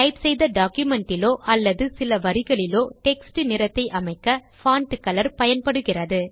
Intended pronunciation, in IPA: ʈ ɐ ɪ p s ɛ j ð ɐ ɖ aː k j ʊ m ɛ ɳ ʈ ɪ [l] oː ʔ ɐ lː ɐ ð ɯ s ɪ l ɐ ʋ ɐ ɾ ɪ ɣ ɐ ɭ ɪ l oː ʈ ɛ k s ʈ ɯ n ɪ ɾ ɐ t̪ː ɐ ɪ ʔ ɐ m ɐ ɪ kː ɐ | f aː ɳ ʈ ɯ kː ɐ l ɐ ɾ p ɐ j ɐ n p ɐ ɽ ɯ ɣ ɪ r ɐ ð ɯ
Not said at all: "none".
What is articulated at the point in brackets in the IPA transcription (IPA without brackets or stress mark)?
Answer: l